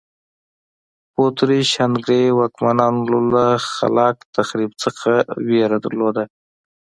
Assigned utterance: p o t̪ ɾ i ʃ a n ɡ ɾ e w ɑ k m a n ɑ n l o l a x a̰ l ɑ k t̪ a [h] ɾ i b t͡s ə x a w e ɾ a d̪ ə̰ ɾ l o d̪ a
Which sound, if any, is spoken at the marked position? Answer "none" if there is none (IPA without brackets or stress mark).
x